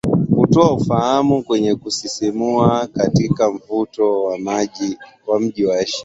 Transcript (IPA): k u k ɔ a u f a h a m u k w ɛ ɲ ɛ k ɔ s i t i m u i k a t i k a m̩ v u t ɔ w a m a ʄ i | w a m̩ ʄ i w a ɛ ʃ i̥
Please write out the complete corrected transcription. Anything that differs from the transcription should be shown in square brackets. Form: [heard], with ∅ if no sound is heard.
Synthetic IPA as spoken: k u [t] ɔ a u f a h a m u k w ɛ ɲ ɛ k [u] s i [s] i m u [a] k a t i k a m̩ v u t ɔ w a m a ʄ i | w a m̩ ʄ i w a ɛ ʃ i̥